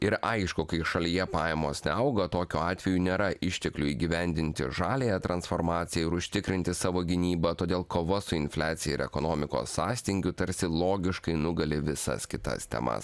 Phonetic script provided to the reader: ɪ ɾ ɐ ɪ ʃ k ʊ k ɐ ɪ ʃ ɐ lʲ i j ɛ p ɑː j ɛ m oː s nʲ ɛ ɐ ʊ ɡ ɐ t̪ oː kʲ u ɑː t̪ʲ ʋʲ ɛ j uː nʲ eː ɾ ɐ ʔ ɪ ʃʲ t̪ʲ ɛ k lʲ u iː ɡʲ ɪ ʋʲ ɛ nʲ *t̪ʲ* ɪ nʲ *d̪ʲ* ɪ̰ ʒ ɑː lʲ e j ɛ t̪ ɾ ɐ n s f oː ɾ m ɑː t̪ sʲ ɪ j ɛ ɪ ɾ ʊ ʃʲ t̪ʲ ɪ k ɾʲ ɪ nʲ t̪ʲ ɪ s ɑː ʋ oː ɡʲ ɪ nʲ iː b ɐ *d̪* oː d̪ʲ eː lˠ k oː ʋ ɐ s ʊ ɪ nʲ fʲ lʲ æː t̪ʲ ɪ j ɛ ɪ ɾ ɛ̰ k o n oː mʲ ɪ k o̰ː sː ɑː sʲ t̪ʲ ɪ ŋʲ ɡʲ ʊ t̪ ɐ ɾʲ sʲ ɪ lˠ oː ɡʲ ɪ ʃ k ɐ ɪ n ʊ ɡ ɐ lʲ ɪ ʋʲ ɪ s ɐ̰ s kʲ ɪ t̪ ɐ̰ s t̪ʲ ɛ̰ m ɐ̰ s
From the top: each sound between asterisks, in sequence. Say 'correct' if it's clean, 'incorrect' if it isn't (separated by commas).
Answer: incorrect, incorrect, incorrect